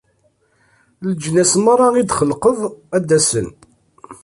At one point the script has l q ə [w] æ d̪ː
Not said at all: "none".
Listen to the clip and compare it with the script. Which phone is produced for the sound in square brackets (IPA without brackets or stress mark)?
v